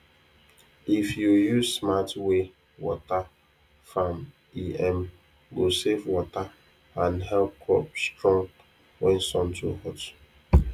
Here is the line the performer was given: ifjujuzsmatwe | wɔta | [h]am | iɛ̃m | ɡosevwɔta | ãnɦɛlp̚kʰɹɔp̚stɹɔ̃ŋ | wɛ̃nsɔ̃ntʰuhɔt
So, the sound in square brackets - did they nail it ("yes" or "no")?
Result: no